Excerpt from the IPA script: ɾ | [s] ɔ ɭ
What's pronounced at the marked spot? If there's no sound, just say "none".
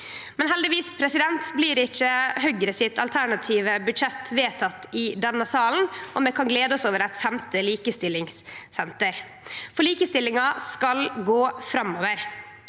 f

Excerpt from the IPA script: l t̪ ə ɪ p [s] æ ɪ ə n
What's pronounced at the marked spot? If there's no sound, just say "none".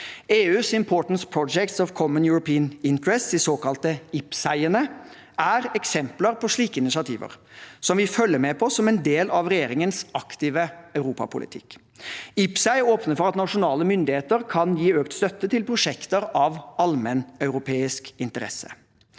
s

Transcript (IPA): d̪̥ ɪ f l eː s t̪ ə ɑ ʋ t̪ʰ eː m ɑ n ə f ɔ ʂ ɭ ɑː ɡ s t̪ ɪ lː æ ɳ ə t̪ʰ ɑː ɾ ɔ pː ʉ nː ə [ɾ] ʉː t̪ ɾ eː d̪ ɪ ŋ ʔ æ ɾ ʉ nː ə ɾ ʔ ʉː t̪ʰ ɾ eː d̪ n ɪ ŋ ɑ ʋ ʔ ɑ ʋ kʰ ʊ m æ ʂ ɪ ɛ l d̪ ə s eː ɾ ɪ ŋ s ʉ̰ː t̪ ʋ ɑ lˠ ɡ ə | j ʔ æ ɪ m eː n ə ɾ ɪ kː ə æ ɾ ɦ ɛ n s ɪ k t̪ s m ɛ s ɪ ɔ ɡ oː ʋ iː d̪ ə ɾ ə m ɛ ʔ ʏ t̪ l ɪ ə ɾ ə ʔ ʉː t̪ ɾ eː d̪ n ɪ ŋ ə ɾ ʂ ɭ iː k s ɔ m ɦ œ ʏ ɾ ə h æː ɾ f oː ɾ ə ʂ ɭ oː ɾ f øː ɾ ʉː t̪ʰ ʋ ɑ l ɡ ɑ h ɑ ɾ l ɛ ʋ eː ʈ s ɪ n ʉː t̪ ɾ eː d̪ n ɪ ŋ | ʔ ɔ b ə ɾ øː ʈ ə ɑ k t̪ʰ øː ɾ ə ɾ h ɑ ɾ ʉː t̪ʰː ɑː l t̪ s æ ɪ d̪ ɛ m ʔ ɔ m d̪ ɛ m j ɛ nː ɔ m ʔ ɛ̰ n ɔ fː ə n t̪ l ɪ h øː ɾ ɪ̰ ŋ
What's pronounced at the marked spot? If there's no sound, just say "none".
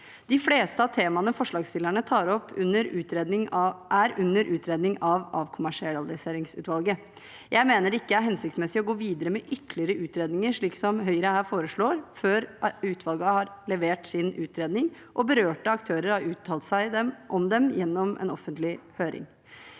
ɾ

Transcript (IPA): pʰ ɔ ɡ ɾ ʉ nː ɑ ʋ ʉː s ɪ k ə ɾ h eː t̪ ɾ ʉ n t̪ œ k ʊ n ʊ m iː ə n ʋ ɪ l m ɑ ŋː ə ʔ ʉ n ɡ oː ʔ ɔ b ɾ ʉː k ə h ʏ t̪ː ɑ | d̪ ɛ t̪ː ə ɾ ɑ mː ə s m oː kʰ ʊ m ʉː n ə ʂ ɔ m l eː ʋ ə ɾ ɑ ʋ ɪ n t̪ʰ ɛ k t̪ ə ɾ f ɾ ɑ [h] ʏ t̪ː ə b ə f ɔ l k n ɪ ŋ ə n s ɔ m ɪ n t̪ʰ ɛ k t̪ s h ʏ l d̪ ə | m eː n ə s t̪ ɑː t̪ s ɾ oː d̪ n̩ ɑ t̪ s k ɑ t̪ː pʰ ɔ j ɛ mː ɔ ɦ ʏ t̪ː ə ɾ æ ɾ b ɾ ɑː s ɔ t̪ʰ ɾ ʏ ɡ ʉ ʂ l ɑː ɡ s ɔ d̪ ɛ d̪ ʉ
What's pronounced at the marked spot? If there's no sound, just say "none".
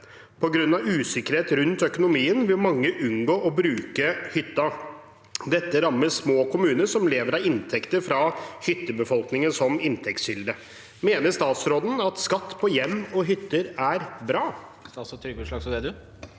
h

